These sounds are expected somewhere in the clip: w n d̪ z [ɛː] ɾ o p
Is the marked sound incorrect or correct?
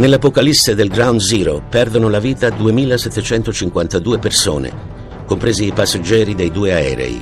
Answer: incorrect